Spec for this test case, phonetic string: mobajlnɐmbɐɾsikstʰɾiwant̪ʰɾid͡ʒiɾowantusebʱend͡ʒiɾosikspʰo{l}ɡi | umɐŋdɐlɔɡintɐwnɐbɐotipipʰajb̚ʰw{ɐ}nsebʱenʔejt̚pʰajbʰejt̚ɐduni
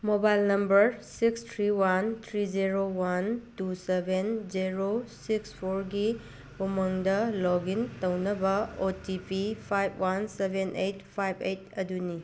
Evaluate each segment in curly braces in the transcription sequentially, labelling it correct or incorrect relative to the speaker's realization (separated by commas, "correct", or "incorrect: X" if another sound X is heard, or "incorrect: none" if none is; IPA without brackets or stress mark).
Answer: incorrect: ɾ, incorrect: a